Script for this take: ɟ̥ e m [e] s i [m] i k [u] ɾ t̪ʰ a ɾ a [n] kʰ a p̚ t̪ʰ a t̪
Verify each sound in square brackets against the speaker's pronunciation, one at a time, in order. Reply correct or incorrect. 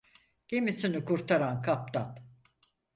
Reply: incorrect, incorrect, correct, correct

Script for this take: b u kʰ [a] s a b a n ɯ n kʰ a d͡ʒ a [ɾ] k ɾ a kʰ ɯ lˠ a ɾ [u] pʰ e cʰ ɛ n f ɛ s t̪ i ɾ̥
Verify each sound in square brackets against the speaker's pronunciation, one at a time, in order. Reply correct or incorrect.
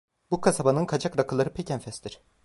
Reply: correct, incorrect, incorrect

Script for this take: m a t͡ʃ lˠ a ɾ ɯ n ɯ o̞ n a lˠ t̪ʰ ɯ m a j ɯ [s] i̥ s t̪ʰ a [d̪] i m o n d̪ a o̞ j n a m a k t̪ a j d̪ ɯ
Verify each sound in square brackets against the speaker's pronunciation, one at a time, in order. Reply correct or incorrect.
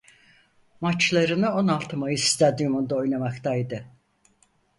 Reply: correct, correct

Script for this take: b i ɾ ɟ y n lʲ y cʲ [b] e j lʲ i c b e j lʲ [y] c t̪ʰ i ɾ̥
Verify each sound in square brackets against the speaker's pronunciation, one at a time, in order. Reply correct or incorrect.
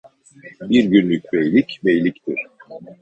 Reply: correct, incorrect

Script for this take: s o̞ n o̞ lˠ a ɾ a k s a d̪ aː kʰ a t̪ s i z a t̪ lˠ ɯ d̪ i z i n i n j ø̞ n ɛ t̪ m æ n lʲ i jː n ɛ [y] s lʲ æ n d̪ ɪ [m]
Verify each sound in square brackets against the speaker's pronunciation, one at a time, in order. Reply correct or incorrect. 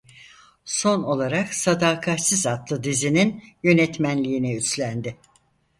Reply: correct, incorrect

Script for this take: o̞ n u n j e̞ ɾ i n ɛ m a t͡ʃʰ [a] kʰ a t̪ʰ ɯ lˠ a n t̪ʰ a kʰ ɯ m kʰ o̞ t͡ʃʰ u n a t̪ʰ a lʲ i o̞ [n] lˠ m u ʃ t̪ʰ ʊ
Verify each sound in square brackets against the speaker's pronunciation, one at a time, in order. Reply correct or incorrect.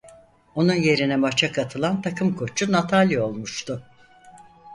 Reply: correct, incorrect

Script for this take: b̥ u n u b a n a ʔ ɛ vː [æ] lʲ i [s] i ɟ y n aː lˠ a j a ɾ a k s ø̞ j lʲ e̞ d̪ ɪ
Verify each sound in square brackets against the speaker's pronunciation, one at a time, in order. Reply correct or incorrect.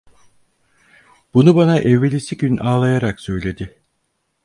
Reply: incorrect, correct

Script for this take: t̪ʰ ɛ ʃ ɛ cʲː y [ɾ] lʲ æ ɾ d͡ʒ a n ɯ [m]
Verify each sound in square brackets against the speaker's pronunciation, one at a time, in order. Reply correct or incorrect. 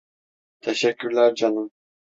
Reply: correct, correct

